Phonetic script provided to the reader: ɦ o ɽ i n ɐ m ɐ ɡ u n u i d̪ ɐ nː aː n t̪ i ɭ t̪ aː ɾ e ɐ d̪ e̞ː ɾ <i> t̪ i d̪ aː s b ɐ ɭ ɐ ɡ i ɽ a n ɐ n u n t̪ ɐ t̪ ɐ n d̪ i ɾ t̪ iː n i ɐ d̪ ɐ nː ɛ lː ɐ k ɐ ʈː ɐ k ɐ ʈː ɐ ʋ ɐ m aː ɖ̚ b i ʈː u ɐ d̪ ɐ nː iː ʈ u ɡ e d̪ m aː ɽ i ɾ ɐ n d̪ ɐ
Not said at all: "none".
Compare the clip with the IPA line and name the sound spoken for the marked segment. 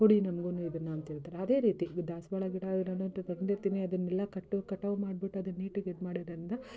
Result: iː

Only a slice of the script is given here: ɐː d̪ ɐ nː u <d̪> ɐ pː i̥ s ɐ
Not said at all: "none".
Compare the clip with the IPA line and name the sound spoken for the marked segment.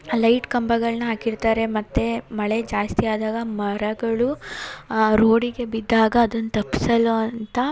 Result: t̪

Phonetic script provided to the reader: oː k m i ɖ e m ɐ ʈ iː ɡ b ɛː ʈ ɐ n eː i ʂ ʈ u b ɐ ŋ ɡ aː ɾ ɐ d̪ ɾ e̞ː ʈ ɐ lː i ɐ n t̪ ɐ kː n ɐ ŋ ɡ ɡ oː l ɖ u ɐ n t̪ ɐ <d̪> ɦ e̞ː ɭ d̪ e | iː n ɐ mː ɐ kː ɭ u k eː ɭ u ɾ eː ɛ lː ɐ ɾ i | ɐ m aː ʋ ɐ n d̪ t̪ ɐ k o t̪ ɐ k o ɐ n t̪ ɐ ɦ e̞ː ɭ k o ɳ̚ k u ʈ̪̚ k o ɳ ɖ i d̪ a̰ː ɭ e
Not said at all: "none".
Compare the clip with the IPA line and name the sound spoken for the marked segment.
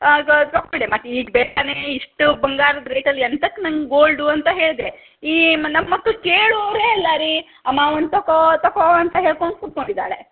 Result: none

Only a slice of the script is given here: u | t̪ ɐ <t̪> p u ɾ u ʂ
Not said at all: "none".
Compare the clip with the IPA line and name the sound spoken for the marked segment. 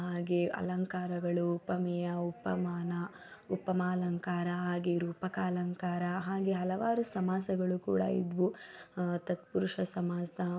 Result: t̪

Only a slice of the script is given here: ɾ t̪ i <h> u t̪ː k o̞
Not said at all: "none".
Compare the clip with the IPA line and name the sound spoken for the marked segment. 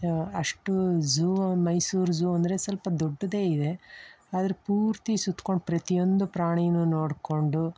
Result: s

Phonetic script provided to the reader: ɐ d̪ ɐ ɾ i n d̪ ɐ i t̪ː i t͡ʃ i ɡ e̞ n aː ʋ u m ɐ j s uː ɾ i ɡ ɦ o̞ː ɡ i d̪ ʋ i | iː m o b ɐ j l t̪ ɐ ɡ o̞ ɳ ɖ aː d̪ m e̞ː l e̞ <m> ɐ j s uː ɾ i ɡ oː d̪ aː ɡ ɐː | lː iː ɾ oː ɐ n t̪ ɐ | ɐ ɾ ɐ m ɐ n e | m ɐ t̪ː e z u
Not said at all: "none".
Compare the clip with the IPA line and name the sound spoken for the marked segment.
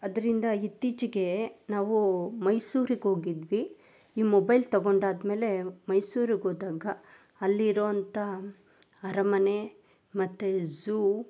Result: m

